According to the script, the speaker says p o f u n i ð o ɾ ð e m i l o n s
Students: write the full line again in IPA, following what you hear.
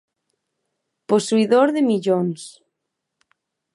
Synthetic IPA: p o s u i ð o ɾ ð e m i ʎ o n s